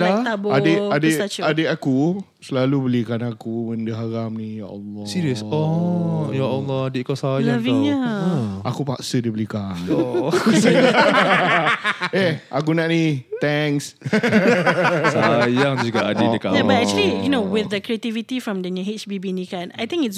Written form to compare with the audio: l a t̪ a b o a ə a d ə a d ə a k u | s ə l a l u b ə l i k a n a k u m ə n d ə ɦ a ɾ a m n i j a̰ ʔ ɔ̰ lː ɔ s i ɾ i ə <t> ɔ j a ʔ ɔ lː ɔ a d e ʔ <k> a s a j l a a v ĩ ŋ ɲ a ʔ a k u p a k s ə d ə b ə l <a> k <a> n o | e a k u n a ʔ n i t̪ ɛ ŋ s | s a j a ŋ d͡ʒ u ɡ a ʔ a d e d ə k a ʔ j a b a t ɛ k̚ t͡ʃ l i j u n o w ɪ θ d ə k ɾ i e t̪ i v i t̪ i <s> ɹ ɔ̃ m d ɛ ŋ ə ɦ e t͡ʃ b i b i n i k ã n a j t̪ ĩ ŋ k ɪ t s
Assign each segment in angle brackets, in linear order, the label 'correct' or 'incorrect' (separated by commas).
incorrect, correct, incorrect, correct, incorrect